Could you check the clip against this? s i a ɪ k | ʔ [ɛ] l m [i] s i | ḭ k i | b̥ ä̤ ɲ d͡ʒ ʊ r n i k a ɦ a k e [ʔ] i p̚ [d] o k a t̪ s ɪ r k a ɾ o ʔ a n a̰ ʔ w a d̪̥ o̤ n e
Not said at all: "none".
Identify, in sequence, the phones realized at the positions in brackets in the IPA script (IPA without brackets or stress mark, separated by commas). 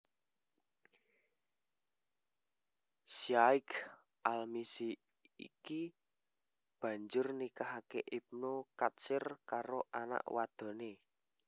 a, i, ʔ, n